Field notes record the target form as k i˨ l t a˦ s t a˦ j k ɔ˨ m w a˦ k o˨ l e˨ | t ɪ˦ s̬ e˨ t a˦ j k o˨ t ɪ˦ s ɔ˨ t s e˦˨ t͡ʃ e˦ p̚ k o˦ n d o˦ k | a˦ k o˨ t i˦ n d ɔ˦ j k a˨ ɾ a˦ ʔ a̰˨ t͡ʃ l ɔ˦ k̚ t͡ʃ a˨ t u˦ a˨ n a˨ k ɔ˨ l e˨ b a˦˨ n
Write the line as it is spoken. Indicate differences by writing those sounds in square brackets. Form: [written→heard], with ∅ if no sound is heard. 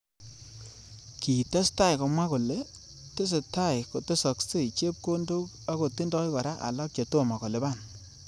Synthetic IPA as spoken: k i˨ [l→∅] t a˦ s t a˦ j k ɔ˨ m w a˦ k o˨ l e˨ | t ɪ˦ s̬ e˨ t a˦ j k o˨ t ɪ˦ s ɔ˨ [t→k] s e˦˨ t͡ʃ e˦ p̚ k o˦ n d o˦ k | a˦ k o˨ t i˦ n d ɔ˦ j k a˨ ɾ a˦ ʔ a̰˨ [t͡ʃ→∅] l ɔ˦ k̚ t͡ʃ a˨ t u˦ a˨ [n→m] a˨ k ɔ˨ l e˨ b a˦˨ n